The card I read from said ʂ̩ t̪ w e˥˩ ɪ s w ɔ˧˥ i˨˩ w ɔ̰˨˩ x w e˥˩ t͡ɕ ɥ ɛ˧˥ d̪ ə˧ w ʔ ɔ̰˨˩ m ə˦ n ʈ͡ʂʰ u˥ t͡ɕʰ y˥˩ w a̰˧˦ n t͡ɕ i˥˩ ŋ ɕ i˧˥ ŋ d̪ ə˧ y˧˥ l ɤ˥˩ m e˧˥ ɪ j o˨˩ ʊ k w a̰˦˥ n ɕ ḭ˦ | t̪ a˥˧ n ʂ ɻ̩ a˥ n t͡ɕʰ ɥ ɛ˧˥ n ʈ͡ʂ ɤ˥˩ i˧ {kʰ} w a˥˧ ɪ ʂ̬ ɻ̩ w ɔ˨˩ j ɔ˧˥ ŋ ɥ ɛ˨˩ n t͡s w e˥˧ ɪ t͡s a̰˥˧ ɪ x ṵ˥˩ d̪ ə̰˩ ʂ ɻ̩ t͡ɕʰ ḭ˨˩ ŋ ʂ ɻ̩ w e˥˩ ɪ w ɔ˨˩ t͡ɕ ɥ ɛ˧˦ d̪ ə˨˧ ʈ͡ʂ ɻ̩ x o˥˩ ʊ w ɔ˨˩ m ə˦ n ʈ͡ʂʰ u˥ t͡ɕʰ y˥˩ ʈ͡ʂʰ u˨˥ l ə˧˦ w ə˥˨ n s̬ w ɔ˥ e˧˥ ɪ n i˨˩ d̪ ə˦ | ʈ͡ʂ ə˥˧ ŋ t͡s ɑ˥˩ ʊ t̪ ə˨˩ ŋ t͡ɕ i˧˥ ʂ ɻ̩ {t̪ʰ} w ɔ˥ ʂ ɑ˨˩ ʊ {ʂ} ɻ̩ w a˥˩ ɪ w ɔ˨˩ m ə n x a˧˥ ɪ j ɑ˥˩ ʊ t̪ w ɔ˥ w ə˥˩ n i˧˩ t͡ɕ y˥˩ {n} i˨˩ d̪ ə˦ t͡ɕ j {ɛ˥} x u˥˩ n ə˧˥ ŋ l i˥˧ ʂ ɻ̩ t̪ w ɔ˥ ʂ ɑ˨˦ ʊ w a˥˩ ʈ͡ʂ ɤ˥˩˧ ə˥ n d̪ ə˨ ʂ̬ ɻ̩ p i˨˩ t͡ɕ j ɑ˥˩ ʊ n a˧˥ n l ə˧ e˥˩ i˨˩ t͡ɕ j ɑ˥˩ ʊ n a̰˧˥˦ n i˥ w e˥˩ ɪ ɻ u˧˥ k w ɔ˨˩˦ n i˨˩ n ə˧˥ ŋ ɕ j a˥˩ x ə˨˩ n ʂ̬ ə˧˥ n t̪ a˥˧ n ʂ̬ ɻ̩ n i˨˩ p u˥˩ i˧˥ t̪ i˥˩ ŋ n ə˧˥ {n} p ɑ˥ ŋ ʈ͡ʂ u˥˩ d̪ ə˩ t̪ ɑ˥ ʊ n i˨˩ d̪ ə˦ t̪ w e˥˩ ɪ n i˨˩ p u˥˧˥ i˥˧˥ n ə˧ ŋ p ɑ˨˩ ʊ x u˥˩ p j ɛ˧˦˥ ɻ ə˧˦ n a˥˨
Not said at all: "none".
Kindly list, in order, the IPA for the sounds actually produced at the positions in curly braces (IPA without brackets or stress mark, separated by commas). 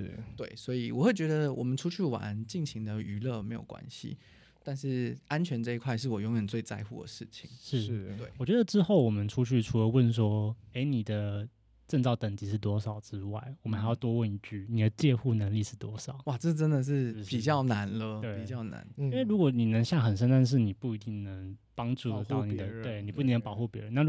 kʰ, t̪, ʈ͡ʂ, n, ɛ˥˧, ŋ